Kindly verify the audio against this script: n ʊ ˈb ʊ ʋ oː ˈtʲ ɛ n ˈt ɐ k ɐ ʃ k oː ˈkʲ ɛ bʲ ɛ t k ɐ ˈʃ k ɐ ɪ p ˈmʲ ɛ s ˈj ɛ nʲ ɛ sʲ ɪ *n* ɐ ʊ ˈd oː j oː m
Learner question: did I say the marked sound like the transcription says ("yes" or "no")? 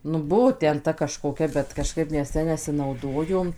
yes